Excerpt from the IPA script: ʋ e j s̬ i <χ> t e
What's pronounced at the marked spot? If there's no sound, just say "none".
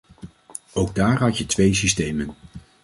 s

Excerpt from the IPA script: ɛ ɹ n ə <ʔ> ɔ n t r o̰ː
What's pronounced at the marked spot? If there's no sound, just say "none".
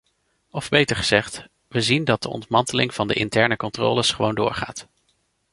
k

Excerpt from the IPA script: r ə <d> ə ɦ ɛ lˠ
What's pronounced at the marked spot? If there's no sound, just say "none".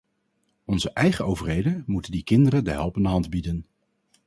d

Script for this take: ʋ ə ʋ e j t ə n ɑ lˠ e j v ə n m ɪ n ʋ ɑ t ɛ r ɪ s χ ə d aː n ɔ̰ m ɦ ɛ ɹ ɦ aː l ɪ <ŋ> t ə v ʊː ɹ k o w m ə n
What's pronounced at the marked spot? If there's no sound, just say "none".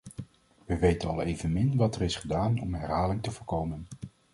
ŋ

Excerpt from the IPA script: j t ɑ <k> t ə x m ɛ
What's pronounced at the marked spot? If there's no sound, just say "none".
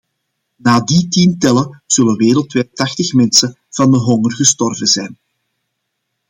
x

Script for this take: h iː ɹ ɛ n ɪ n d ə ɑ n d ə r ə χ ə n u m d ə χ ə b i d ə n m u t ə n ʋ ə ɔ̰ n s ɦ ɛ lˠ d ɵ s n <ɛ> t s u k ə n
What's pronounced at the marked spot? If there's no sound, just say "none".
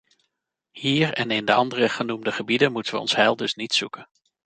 i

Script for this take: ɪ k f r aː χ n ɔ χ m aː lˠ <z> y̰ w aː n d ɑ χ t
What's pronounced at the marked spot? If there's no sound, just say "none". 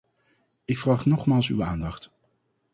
s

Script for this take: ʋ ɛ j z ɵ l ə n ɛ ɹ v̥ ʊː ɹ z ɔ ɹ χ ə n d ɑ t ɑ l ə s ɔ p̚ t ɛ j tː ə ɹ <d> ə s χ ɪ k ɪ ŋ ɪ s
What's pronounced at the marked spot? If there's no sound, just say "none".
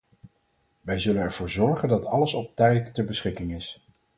b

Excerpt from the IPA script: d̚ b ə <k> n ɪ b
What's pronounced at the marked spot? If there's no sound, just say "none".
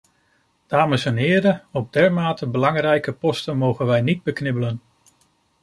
k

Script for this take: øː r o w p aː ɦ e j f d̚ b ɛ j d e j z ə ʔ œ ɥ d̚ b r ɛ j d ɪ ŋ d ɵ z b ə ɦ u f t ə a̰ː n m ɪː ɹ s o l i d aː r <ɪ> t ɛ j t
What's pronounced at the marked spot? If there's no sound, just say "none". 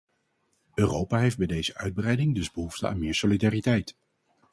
i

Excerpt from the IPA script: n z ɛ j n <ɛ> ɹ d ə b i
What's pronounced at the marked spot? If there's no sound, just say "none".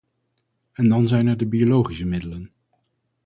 ɛ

